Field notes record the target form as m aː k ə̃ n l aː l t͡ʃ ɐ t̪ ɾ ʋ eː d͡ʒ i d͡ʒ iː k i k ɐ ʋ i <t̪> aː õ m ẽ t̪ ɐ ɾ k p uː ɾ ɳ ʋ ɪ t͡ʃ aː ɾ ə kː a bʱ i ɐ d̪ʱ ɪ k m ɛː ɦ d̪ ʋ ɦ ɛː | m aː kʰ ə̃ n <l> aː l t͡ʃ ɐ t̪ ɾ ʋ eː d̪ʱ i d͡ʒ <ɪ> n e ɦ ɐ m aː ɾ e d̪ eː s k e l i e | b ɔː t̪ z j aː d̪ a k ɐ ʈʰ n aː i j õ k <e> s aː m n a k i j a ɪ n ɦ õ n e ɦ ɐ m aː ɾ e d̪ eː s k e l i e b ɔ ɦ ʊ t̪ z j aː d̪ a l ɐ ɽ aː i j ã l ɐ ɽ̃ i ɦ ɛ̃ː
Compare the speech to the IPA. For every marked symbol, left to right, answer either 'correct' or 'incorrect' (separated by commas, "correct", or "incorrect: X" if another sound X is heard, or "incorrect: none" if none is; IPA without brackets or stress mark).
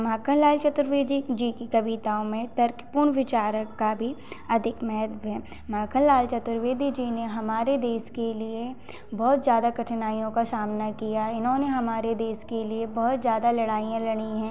correct, correct, incorrect: i, incorrect: a